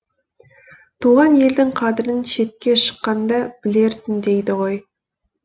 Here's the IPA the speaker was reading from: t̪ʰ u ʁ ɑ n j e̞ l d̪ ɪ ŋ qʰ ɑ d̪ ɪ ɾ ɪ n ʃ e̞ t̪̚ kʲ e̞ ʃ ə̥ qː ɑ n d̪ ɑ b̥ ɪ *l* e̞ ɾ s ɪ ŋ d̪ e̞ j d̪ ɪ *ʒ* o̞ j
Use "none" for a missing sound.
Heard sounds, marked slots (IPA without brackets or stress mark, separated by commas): l, ʁ